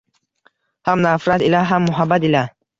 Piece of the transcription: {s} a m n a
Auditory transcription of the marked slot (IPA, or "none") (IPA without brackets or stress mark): h